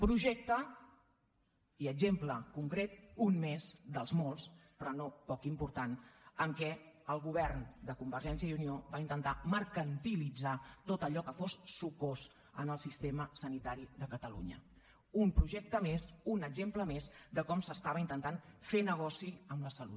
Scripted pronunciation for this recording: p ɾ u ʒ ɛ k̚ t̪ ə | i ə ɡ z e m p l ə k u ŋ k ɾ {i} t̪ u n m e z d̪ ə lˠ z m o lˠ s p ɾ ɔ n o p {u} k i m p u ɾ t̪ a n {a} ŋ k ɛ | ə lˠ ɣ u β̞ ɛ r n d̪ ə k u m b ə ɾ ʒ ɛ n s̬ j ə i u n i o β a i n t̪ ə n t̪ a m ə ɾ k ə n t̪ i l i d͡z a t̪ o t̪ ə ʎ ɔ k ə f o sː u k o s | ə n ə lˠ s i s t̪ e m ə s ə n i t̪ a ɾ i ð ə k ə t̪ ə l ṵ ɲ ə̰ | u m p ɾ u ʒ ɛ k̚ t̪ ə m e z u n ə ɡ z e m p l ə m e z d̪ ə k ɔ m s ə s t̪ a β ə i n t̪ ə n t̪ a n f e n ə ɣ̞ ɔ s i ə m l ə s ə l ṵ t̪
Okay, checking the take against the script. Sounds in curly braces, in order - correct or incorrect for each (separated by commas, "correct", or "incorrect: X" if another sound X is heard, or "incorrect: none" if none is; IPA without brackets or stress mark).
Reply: incorrect: e, incorrect: ɔ, incorrect: ə